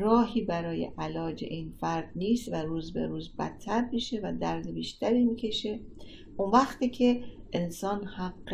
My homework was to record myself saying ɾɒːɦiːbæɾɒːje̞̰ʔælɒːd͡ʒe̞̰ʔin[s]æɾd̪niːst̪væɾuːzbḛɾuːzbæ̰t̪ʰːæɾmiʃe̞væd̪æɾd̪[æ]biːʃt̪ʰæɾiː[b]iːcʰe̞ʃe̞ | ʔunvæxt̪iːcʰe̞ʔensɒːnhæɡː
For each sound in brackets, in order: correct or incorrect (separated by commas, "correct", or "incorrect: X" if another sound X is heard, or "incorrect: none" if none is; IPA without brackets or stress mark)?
incorrect: f, incorrect: e, incorrect: m